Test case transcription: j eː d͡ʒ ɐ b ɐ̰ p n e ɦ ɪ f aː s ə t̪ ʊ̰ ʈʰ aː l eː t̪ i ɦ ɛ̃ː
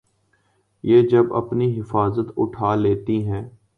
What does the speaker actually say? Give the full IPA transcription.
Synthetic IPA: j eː d͡ʒ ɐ b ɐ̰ p n i ɦ ɪ f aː z ə t̪ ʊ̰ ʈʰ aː l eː t̪ i ɦ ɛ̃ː